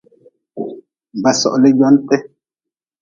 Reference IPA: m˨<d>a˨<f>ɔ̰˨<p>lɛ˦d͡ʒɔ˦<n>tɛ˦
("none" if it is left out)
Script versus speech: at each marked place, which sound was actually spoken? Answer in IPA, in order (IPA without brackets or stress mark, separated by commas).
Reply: b, s, ʔ, n